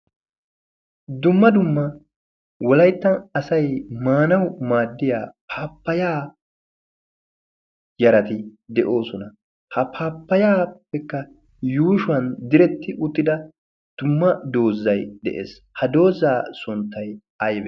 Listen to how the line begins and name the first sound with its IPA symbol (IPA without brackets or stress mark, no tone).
d̪